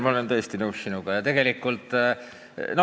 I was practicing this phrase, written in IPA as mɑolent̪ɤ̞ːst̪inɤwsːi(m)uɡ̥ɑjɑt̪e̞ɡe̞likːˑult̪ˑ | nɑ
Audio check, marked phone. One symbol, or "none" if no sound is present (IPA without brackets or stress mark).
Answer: n